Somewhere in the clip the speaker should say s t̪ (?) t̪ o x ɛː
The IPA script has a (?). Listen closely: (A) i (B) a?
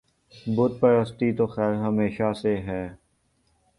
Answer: A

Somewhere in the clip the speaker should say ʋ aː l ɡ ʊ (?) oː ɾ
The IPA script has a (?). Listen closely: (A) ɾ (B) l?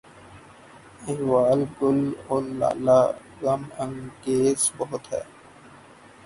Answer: B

